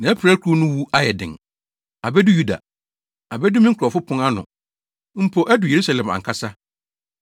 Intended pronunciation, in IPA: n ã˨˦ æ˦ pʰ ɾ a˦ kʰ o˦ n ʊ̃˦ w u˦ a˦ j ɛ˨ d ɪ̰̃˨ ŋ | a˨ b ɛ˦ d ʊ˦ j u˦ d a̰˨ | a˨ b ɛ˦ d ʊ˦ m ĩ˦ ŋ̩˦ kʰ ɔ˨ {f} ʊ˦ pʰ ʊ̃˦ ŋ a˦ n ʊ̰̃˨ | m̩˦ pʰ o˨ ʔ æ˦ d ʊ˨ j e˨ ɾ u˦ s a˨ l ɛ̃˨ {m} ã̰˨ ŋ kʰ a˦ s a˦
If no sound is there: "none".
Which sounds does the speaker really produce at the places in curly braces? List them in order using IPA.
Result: f, m

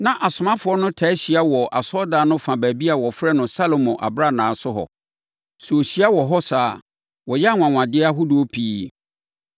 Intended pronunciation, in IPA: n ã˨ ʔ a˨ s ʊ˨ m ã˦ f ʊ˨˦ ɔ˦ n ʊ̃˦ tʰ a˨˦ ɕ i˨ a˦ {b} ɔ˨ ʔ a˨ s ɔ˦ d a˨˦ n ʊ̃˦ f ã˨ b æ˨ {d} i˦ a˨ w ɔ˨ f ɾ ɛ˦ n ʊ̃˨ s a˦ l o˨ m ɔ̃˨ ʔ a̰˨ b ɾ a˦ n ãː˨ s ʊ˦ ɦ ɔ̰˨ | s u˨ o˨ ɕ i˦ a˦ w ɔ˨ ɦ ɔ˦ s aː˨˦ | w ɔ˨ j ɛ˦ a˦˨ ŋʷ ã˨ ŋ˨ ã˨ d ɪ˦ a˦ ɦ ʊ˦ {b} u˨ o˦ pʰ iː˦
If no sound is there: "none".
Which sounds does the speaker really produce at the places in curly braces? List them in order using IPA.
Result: w, b, d

